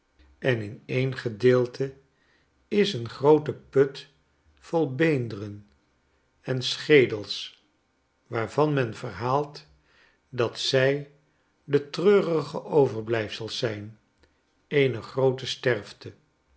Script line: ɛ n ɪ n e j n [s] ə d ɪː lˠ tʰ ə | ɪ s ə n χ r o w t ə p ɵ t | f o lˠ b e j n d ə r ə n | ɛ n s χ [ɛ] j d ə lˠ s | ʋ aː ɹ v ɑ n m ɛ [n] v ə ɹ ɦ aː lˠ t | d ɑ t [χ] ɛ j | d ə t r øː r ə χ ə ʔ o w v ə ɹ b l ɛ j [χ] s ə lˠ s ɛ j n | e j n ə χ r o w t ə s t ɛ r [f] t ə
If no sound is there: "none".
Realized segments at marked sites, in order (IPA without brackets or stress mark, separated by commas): χ, e, n, s, f, f